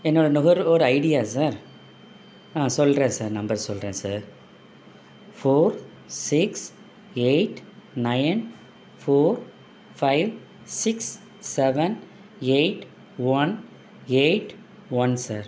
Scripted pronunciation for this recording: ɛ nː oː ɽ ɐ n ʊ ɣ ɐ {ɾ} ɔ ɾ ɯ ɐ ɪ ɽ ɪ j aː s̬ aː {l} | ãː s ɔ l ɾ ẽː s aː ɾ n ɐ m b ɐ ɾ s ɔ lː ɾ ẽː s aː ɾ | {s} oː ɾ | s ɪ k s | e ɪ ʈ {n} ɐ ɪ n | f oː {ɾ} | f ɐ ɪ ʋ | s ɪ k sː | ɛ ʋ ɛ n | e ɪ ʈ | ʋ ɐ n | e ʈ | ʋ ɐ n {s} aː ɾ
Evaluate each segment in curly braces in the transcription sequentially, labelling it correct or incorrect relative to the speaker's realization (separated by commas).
correct, incorrect, incorrect, correct, correct, correct